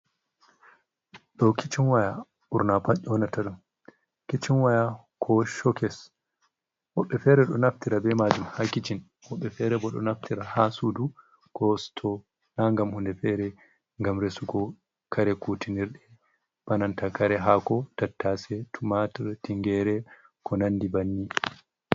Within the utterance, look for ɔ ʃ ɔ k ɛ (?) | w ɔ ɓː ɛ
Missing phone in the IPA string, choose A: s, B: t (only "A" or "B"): A